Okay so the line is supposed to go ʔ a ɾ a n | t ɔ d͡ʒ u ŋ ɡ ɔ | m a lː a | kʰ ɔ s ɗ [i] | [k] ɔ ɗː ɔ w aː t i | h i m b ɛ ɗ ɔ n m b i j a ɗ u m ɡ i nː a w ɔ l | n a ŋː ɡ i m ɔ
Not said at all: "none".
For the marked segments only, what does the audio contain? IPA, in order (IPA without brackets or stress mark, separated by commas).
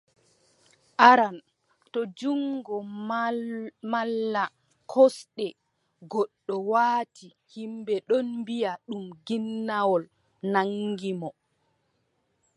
ɛ, ɡ